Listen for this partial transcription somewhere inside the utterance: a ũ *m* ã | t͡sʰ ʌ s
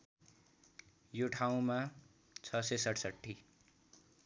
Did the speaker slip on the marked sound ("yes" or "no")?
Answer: no